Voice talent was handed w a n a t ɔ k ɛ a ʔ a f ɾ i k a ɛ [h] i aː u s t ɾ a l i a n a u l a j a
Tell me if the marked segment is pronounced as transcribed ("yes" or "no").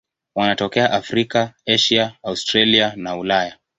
no